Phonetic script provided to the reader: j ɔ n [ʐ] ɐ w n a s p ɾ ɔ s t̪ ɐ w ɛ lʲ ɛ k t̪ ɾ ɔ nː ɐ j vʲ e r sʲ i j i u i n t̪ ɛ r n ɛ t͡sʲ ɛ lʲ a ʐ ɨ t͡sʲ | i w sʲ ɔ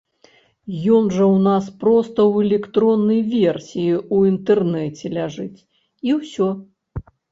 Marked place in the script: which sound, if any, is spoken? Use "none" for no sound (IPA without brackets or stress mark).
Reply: ʐ